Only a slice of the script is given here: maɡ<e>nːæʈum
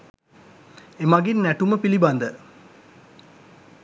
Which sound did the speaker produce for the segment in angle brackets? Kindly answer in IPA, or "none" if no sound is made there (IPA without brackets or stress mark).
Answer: i